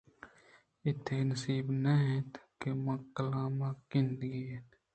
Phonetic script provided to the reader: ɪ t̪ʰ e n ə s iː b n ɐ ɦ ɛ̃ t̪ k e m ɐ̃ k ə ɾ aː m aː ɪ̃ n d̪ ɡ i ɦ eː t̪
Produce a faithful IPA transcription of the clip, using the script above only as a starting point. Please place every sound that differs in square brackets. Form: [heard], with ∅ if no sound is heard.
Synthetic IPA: ɪ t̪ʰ e n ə s iː b n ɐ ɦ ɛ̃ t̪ k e m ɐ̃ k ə [l] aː m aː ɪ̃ n d̪ ɡ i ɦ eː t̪

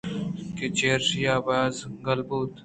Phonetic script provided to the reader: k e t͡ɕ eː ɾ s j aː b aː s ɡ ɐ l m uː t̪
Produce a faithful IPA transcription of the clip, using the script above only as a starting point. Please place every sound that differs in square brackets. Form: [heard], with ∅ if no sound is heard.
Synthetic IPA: k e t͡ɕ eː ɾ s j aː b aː [z] ɡ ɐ l [b] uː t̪

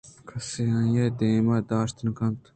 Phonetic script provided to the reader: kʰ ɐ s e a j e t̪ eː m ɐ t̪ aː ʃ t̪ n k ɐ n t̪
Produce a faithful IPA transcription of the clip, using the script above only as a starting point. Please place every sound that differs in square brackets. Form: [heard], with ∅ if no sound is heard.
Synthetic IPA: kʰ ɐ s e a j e [d̪] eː m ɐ [d̪] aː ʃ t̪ n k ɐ n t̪

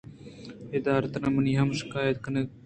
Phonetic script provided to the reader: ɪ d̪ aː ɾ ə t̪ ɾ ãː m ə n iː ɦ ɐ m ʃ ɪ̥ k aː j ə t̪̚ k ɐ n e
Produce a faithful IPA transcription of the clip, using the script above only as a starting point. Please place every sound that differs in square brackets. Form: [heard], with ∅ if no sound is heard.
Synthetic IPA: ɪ d̪ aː ɾ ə t̪ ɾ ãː m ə n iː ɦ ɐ m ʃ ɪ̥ k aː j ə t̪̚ k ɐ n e

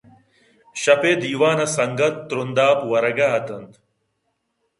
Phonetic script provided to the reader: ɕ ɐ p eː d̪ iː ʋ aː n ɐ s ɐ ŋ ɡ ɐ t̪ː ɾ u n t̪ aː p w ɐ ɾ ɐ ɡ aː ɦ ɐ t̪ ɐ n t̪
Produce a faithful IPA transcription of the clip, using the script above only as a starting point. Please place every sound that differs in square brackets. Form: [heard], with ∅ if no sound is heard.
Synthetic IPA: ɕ ɐ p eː d̪ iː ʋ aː n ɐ s ɐ ŋ ɡ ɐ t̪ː ɾ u n [d̪] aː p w ɐ ɾ ɐ ɡ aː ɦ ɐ t̪ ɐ n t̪

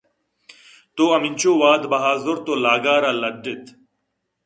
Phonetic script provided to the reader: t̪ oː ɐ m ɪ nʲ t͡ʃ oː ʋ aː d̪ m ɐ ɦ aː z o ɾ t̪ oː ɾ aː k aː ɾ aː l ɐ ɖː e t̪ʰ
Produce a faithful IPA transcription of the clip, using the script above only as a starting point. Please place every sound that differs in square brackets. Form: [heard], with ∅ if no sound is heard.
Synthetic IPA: t̪ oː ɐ m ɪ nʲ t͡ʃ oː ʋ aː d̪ [b] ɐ ɦ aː z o ɾ t̪ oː [l] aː [ɡ] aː ɾ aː l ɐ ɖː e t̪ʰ

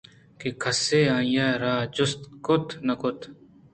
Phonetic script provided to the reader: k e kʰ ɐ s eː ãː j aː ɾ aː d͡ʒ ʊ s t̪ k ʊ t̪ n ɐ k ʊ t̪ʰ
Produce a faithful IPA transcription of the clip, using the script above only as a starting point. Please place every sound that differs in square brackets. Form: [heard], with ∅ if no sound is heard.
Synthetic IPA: k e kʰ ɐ s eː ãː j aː ɾ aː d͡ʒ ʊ s t̪ k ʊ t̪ n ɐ k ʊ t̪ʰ

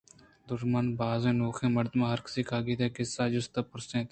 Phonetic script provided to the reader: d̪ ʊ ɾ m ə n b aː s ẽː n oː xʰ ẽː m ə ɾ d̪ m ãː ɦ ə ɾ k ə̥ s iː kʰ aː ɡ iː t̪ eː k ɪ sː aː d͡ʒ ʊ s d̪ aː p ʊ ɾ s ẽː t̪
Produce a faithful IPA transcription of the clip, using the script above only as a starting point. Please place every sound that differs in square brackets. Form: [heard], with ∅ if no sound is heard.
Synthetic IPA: d̪ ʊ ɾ m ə n b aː [z] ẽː n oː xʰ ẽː m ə ɾ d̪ m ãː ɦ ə ɾ k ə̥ s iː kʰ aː ɡ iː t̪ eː k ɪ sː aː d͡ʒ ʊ s [t̪] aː p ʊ ɾ s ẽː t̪

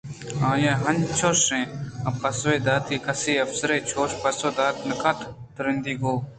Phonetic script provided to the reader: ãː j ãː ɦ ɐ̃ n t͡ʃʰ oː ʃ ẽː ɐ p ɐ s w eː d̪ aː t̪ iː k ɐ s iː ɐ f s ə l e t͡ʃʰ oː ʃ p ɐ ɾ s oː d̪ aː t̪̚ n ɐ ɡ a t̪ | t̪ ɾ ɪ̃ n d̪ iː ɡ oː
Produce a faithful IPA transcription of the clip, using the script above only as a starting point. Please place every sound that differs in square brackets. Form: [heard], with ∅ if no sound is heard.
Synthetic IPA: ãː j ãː ɦ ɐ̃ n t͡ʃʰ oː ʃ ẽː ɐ p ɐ s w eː d̪ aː t̪ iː k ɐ s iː ɐ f s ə [ɾ] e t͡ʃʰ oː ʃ p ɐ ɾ s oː d̪ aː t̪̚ n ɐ [k] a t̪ | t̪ ɾ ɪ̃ n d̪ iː ɡ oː

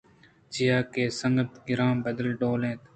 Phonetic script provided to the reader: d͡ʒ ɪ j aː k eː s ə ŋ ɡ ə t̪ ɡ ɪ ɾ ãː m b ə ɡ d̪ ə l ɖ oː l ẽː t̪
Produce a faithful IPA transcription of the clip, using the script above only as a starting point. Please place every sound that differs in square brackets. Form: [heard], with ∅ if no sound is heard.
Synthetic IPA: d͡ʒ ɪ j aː k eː s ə ŋ ɡ ə t̪ ɡ ɪ ɾ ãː m b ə [∅] d̪ ə l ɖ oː l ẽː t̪

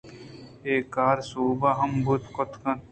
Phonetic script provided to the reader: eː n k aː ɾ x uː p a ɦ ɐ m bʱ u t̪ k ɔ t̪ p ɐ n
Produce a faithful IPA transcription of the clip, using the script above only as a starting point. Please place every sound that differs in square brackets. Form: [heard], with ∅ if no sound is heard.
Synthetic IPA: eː [∅] k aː ɾ [s] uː [b] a ɦ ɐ m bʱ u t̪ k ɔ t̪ [k] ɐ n

